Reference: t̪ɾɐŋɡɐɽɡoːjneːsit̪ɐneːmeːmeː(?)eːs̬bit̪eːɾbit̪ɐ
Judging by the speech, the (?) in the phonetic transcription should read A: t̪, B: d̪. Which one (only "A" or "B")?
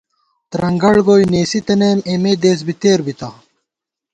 B